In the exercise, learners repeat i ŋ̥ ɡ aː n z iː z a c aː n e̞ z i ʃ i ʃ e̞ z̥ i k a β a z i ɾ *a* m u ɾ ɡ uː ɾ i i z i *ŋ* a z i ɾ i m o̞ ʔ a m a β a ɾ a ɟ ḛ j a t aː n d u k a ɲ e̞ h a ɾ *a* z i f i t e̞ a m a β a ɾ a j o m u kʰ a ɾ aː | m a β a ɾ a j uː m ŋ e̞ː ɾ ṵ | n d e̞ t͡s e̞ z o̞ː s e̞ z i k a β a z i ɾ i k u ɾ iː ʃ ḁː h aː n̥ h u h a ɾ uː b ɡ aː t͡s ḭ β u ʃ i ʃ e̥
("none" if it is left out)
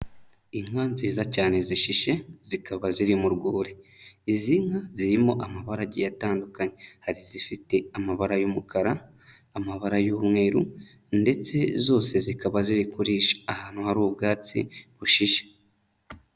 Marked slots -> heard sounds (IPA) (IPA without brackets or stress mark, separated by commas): i, ŋ, i